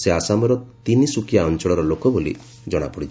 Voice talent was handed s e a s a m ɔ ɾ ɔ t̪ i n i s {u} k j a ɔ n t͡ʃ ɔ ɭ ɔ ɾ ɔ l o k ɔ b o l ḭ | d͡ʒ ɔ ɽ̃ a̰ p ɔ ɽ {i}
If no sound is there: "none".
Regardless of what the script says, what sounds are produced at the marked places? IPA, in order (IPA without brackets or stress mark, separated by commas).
u, i